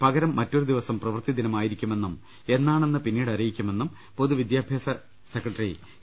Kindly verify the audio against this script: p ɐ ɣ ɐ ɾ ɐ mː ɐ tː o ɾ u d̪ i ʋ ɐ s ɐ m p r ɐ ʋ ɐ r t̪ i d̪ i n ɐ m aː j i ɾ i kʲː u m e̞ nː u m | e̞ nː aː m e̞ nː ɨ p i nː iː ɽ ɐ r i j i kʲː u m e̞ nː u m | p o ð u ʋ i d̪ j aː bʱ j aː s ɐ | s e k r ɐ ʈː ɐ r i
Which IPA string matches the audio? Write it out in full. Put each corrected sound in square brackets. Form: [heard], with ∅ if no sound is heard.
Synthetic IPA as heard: p ɐ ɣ ɐ ɾ ɐ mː ɐ tː o ɾ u d̪ i ʋ ɐ s ɐ m p r ɐ ʋ ɐ r t̪ i d̪ i n ɐ m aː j i ɾ i kʲː u m e̞ nː u m | e̞ nː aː [ɳ] e̞ nː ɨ p i nː iː ɽ ɐ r i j i kʲː u m e̞ nː u m | p o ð u ʋ i d̪ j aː bʱ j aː s ɐ | s e k r ɐ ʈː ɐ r i